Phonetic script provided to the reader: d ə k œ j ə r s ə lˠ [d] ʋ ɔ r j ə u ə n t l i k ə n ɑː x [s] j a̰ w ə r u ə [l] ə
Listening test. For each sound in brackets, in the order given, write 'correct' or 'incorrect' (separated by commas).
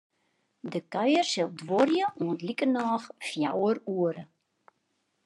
correct, incorrect, incorrect